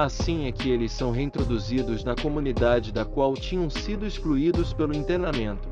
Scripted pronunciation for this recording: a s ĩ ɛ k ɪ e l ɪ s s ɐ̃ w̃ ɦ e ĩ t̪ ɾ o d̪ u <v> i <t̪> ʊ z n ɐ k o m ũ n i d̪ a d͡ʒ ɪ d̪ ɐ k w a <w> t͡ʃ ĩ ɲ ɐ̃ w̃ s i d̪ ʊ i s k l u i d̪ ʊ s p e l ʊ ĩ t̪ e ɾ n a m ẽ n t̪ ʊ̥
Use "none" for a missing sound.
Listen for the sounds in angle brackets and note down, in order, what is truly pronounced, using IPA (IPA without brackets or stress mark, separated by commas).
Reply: z, d̪, w